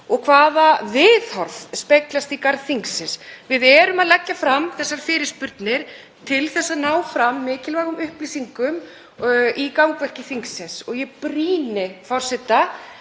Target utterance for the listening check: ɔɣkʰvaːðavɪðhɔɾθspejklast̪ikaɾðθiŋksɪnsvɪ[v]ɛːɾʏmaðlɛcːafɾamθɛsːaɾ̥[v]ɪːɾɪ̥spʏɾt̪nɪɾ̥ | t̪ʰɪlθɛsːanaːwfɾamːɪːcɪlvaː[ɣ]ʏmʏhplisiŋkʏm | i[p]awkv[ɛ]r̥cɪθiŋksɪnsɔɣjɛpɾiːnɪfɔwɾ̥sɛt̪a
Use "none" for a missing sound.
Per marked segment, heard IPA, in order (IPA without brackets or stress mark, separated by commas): ð, f, ɣ, k, ɛ